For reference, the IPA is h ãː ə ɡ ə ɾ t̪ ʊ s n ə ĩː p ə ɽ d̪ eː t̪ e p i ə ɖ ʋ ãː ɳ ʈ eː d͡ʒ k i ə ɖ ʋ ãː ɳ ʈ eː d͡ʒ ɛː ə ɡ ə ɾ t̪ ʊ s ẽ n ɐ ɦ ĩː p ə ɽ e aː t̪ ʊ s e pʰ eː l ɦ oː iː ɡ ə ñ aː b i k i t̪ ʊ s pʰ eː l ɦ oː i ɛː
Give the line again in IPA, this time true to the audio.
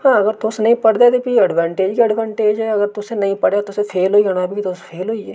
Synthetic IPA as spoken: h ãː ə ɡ ə ɾ t̪ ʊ s n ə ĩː p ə ɽ d̪ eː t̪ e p i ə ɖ ʋ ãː ɳ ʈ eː d͡ʒ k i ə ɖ ʋ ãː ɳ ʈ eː d͡ʒ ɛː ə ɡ ə ɾ t̪ ʊ s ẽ n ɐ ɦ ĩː p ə ɽ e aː t̪ ʊ s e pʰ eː l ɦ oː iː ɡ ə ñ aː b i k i t̪ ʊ s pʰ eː l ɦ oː i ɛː